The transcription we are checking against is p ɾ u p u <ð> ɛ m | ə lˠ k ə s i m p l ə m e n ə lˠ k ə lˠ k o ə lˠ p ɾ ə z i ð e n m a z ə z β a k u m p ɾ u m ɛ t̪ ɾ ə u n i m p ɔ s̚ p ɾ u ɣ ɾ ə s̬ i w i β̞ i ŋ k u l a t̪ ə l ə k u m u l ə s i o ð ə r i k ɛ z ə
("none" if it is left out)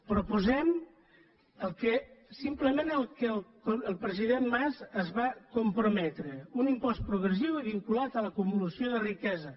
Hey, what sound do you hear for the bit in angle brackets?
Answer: z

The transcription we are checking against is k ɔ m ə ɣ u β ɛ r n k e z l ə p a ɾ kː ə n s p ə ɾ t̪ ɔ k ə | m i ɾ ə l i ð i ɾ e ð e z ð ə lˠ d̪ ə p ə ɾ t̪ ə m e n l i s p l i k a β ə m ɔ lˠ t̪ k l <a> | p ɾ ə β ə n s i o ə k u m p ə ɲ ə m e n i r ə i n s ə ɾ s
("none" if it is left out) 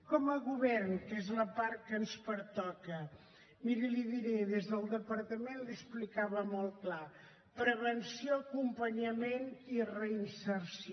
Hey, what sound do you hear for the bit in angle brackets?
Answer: a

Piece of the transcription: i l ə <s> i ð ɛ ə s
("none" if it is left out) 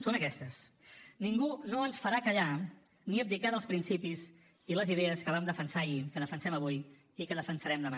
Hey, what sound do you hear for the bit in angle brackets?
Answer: z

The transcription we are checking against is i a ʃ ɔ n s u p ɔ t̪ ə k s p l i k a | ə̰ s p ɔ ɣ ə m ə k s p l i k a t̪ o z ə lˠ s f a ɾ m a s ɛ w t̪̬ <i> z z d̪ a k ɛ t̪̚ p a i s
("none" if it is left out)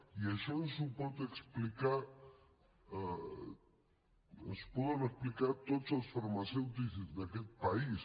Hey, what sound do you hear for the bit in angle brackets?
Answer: i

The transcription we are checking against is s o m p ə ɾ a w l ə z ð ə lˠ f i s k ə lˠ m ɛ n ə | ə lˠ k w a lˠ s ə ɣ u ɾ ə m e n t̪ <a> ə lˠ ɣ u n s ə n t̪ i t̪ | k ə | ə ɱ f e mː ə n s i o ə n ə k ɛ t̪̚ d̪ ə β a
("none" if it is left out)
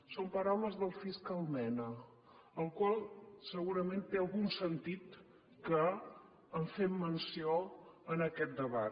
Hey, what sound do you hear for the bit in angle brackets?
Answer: e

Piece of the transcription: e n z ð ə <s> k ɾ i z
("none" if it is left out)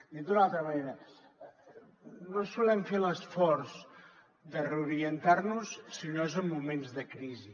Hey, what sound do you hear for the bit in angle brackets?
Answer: none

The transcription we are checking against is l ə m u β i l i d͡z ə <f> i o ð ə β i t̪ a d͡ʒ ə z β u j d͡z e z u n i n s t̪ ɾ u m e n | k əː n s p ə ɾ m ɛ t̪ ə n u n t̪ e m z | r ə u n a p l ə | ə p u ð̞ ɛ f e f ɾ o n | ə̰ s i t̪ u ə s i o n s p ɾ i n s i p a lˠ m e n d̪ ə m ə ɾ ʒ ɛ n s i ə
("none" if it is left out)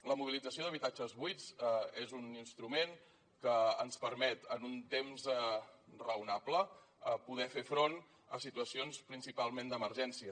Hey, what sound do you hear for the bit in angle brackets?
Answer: s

